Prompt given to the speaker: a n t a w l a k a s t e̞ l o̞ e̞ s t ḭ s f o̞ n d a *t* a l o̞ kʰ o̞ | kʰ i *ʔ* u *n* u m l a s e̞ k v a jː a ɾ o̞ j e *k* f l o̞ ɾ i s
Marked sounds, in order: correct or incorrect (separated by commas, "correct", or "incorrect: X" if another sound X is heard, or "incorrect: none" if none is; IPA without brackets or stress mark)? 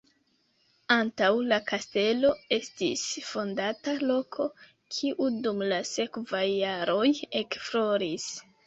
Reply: correct, correct, incorrect: d, correct